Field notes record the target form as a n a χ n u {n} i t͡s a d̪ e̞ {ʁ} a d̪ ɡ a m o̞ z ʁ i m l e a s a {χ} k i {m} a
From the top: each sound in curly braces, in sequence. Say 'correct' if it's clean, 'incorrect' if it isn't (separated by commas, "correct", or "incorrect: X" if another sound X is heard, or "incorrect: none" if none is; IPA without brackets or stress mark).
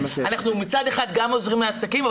incorrect: m, incorrect: χ, incorrect: none, correct